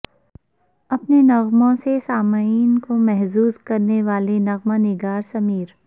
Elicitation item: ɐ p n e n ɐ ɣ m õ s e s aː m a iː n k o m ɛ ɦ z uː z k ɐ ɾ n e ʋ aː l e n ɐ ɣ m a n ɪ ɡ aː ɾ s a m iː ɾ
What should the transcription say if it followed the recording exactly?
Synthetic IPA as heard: ɐ p n e n ɐ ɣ m õ s e s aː m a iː n k o m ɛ ɦ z uː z k ɐ ɾ n e ʋ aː l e n ɐ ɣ m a n ɪ ɡ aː ɾ s ɐ m iː ɾ